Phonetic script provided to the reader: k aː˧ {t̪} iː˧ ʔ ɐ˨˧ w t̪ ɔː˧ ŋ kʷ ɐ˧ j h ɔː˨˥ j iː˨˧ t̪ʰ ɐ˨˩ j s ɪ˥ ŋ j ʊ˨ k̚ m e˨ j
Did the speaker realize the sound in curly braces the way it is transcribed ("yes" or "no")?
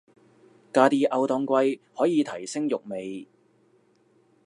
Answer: yes